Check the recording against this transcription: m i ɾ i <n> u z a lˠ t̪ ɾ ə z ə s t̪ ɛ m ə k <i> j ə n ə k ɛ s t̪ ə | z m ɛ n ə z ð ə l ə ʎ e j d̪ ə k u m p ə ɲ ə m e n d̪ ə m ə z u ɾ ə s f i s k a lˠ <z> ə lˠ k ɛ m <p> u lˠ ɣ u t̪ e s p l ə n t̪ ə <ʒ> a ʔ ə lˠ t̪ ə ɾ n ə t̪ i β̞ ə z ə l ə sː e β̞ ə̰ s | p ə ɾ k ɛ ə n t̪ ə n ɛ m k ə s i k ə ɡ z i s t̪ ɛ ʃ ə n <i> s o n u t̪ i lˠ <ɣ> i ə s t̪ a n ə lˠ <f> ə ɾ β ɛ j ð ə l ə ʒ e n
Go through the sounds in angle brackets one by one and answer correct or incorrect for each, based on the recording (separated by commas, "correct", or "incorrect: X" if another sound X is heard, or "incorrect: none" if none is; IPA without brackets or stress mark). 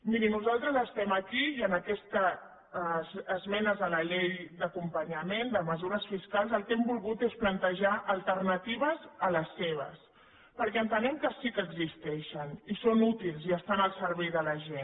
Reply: correct, correct, correct, incorrect: b, correct, correct, incorrect: z, incorrect: s